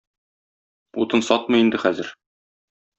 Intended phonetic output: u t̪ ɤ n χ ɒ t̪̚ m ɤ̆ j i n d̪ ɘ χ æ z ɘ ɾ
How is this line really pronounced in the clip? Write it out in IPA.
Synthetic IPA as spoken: u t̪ ɤ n s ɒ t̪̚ m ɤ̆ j i n d̪ ɘ χ æ z ɘ ɾ